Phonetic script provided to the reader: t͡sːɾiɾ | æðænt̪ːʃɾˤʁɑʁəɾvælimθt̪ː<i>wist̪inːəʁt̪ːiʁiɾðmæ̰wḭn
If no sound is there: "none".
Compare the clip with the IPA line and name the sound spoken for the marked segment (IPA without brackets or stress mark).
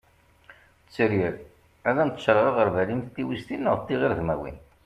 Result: i